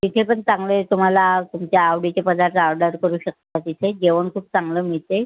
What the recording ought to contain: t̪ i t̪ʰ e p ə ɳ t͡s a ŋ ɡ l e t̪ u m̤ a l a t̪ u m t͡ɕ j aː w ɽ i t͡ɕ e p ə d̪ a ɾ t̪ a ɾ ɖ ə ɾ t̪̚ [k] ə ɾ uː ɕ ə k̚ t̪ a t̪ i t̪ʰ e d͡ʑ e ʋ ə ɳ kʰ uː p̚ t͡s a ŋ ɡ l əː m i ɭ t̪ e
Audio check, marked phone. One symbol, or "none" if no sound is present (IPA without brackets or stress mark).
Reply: k